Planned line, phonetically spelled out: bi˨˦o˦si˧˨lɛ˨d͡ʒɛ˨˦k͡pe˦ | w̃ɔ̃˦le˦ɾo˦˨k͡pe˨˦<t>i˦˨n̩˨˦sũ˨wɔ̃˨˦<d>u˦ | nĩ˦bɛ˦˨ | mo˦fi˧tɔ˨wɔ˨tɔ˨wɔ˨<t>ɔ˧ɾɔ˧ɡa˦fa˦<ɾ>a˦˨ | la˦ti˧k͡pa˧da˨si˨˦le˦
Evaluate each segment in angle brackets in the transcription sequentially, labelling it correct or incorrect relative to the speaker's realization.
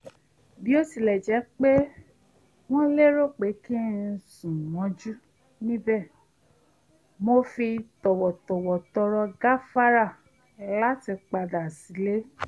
incorrect: k, incorrect: d͡ʒ, correct, correct

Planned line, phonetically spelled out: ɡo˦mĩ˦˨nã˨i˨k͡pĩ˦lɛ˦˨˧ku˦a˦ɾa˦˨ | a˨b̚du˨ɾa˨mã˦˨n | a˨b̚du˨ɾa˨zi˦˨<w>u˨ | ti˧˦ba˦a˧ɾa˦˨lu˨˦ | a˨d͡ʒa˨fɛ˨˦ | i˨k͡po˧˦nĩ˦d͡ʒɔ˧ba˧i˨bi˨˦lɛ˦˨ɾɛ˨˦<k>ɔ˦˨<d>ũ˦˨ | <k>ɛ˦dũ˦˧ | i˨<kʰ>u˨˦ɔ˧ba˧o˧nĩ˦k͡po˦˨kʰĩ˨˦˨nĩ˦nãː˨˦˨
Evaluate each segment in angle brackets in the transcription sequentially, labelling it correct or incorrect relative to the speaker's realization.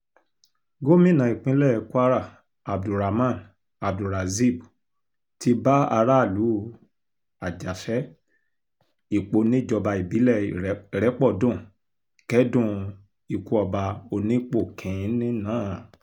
incorrect: b, incorrect: k͡p, correct, correct, incorrect: k

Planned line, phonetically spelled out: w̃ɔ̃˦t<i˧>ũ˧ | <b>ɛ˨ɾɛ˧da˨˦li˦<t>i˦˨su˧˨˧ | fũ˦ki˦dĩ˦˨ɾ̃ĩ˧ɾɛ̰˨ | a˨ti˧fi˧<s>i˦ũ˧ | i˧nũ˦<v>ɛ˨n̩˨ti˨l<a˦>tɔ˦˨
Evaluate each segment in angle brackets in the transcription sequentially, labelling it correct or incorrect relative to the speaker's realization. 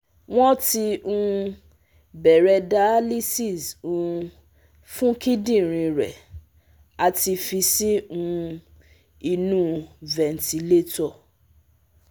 correct, correct, incorrect: s, correct, correct, incorrect: e˦

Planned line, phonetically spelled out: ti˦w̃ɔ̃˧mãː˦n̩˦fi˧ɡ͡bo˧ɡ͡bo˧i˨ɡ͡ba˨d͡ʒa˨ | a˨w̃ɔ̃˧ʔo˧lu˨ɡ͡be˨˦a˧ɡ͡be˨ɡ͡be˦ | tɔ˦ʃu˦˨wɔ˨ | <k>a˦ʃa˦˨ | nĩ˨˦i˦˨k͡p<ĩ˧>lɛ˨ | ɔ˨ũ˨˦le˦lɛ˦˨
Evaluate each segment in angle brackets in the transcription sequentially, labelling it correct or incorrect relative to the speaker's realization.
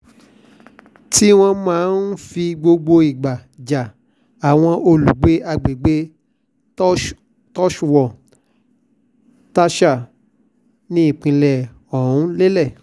incorrect: t, correct

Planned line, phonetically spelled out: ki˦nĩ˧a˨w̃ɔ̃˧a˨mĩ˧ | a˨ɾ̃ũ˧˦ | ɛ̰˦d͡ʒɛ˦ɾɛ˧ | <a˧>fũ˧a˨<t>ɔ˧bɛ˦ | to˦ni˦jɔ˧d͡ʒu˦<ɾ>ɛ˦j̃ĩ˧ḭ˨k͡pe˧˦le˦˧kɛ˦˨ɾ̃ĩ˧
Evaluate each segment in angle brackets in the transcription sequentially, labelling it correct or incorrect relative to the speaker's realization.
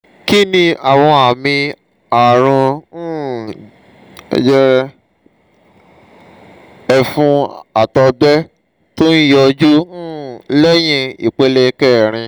incorrect: ɛ˧, correct, incorrect: l

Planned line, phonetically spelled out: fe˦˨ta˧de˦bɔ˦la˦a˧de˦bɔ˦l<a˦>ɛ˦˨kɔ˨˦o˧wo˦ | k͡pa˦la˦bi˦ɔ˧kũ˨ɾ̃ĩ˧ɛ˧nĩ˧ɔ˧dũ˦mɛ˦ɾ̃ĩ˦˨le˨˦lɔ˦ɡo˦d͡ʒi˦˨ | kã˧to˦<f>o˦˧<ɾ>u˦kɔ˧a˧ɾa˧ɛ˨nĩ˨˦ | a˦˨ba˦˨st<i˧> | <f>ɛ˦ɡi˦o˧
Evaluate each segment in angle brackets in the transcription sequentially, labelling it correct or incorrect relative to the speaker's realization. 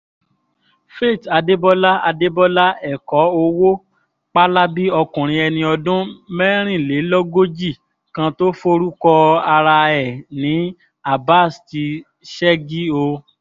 correct, correct, correct, correct, incorrect: ʃ

